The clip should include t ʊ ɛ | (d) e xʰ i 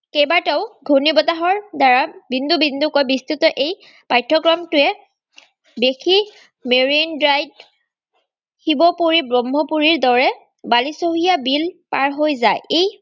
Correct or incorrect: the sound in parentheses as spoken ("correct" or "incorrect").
incorrect